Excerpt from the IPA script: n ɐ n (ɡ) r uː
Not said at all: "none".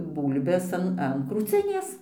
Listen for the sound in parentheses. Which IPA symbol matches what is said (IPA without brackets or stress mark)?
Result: k